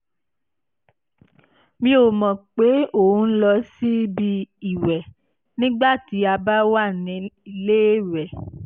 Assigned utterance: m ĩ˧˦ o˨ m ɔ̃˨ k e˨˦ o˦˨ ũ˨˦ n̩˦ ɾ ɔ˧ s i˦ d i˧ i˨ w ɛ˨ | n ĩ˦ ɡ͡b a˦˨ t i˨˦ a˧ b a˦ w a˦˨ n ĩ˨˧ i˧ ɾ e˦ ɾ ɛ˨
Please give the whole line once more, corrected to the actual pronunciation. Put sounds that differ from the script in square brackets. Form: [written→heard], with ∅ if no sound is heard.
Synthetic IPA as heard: m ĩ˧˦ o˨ m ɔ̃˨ [k→k͡p] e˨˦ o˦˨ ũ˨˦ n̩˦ [ɾ→l] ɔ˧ s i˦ [d→b] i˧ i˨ w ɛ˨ | n ĩ˦ ɡ͡b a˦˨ t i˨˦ a˧ b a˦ w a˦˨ n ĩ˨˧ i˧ [ɾ→l] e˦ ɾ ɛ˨